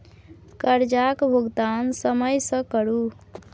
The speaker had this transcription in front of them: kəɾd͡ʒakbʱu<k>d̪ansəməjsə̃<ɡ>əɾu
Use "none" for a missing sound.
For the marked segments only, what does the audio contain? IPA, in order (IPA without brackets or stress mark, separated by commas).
ɡ, k